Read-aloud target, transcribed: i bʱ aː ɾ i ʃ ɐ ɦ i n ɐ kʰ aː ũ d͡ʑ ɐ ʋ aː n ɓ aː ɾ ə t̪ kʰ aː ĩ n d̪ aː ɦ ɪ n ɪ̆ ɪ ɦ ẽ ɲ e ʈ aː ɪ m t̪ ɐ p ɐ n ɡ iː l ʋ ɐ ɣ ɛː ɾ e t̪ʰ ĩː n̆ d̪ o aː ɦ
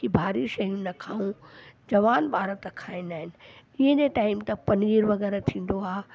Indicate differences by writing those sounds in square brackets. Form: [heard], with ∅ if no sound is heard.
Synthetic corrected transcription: i bʱ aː ɾ i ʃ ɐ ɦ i n ɐ kʰ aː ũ d͡ʑ ɐ ʋ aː n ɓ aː ɾ ə t̪ kʰ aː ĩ n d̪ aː ɦ ɪ n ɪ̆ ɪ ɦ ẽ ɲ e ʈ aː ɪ m t̪ ɐ p ɐ n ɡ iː [ɾ] ʋ ɐ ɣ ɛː ɾ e t̪ʰ ĩː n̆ d̪ o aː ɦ